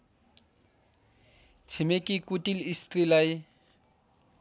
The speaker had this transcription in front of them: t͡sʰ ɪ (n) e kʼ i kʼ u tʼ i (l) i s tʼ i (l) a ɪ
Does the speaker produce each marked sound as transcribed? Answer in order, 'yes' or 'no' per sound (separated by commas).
no, yes, yes